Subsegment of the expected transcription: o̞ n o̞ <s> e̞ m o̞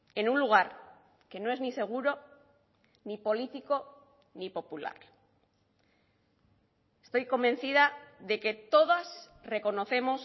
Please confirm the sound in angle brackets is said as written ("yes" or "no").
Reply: no